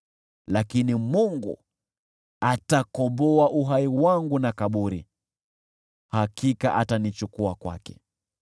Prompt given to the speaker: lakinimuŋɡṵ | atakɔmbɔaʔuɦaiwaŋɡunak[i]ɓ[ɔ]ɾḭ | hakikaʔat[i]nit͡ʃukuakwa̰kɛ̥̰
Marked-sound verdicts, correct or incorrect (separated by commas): incorrect, incorrect, incorrect